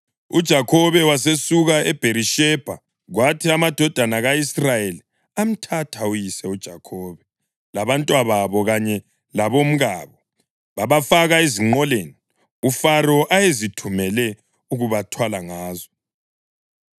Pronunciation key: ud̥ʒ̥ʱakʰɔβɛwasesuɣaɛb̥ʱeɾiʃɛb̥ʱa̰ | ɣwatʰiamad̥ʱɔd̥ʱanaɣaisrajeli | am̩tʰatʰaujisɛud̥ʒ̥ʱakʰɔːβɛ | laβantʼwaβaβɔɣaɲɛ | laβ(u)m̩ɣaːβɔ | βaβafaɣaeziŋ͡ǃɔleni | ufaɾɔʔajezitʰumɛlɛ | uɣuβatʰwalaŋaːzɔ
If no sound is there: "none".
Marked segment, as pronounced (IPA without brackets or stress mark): o